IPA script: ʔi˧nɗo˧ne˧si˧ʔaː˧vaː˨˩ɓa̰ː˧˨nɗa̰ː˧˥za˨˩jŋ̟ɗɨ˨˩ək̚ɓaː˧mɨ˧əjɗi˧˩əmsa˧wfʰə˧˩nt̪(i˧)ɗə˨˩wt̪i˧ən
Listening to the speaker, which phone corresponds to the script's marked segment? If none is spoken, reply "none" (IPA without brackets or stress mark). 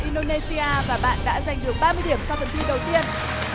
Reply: i˧